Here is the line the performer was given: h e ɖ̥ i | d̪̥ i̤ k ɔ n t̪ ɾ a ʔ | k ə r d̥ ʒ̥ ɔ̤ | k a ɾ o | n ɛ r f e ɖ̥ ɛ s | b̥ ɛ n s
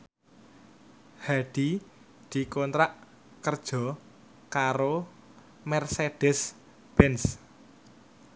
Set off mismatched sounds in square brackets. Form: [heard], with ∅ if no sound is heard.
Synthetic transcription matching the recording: h [a] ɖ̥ i | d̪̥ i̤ k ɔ n t̪ ɾ a ʔ | k ə r d̥ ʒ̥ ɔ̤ | k a ɾ o | [m] ɛ r [s] e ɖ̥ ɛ s | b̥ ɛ n s